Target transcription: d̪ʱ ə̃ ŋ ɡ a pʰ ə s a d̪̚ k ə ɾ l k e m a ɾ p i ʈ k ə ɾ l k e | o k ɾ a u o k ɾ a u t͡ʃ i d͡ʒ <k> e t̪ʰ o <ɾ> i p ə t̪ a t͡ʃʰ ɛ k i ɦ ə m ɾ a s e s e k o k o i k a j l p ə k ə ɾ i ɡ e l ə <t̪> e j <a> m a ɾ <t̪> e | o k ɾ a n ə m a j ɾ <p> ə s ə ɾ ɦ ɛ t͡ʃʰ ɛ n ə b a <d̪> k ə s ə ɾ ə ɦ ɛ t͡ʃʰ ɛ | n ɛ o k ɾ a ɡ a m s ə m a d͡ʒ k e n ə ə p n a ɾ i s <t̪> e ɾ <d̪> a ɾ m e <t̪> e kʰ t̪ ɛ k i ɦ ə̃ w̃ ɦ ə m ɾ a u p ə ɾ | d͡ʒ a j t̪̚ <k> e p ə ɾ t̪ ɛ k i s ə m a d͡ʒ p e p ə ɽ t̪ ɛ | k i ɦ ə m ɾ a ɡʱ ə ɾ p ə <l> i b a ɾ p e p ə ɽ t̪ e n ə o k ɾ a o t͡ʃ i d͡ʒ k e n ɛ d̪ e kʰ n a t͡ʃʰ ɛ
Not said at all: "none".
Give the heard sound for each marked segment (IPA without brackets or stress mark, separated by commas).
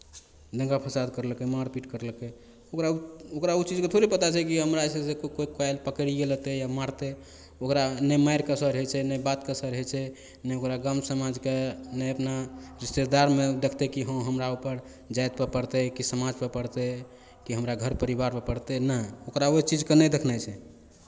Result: k, ɾ, t̪, a, t̪, k, t̪, t̪, d̪, d̪, p, ɾ